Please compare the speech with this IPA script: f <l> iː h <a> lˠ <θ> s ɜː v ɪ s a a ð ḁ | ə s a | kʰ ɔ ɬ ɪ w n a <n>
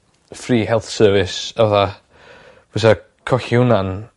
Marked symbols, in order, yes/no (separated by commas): no, no, yes, yes